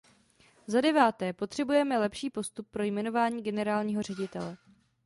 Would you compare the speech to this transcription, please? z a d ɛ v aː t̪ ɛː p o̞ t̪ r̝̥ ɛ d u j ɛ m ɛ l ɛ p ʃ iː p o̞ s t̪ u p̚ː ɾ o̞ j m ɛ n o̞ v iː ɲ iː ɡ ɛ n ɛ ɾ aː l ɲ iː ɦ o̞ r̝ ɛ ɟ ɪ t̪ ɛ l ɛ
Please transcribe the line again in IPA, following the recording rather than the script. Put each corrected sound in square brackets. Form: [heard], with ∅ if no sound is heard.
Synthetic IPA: z a d ɛ v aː t̪ ɛː p o̞ t̪ r̝̥ ɛ [b] u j ɛ m ɛ l ɛ p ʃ iː p o̞ s t̪ u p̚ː ɾ o̞ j m ɛ n o̞ v [aː] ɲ iː ɡ ɛ n ɛ ɾ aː l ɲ iː ɦ o̞ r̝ ɛ ɟ ɪ t̪ ɛ l ɛ